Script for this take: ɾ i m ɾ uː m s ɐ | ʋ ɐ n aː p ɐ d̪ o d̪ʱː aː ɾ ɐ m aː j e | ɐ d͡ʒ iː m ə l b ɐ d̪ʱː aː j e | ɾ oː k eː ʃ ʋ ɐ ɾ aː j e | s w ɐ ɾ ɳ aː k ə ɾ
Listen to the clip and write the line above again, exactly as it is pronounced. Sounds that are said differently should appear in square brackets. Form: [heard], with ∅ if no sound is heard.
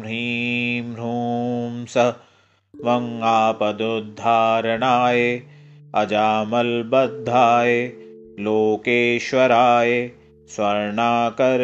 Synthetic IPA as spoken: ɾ i m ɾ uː m s ɐ | ʋ ɐ [ŋ] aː p ɐ d̪ o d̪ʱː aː ɾ ɐ [ɳ] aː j e | ɐ d͡ʒ [aː] m [ɐ] l b ɐ d̪ʱː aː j e | [l] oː k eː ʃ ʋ ɐ ɾ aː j e | s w ɐ ɾ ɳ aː k [ɐ] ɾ